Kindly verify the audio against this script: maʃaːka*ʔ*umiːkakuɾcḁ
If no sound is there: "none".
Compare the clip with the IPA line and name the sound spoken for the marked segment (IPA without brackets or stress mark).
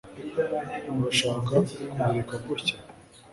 k